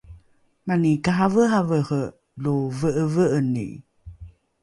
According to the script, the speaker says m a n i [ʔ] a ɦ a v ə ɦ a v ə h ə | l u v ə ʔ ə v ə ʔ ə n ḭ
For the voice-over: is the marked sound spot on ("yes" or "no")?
no